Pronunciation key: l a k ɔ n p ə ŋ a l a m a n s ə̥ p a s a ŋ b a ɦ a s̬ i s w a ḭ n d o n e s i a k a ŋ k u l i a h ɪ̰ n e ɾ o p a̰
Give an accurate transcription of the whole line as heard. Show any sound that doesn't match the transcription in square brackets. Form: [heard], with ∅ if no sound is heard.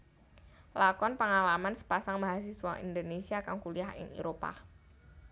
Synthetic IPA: l a k ɔ n p ə ŋ a l a m a n s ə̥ p a s a ŋ b a ɦ a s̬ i s w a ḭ n d o n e s i a k a ŋ k u l i a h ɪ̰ [ŋ] e ɾ o p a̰